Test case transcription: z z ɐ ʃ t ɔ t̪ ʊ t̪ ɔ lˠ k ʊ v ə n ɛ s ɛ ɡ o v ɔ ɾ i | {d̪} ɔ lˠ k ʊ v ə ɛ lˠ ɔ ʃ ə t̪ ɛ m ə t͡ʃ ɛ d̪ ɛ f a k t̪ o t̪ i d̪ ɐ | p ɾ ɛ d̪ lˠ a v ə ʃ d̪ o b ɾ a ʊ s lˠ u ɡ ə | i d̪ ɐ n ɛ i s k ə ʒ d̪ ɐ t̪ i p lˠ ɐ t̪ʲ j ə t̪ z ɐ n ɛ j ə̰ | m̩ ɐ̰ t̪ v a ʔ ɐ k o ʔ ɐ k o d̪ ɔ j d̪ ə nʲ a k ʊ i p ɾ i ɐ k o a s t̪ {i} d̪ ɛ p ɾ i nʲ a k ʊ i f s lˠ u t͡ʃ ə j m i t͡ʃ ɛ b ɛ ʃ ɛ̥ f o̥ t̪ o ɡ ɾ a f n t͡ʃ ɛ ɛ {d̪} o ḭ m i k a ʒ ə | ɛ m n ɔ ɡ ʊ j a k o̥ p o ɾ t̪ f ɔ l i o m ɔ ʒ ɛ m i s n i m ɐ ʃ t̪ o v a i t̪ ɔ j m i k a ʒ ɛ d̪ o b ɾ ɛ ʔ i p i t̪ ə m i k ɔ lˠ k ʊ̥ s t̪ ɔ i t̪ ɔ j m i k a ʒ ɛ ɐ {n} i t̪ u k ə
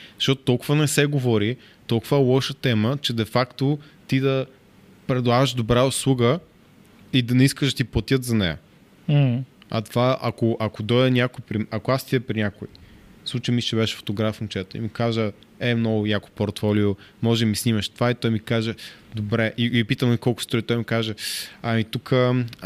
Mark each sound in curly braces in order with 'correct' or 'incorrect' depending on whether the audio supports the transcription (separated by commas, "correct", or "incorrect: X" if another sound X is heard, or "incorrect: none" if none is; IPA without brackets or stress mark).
incorrect: t̪, correct, incorrect: t̪, incorrect: m